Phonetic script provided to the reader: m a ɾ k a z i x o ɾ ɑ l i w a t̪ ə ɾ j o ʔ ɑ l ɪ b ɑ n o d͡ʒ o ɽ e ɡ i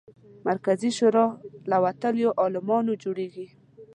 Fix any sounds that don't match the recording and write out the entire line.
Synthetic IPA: m a ɾ k a z i ʃ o ɾ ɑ l a w a t̪ ə l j o ʔ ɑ l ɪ m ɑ n o d͡ʒ o ɽ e ɡ i